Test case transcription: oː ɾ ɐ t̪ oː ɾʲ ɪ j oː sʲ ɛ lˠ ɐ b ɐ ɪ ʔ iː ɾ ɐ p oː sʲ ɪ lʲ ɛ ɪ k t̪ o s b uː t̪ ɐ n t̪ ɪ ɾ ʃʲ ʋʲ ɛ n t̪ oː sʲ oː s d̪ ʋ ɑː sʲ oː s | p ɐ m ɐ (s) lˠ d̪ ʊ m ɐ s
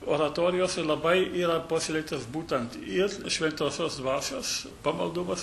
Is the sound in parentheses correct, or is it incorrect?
incorrect